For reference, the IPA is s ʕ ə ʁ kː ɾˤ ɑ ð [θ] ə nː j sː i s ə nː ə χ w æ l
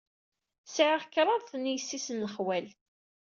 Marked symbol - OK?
yes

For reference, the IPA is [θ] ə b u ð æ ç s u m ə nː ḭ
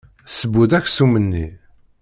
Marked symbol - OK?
no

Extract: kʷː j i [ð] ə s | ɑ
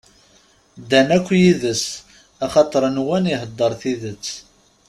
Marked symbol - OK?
yes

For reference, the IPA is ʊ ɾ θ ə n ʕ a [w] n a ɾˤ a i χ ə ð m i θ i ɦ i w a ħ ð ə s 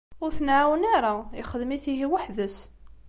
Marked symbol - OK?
yes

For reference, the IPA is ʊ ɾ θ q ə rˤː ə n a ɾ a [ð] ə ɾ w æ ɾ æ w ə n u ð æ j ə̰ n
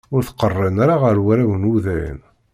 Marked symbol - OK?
no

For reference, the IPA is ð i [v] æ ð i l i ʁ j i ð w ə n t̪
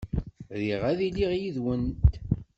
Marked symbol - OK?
no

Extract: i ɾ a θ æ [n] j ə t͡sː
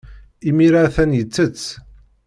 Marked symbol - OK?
yes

